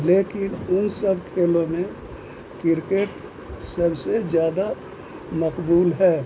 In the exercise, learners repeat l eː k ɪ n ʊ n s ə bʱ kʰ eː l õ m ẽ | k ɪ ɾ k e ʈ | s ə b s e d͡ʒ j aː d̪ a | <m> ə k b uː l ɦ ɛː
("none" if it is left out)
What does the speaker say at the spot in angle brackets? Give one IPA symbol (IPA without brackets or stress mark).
m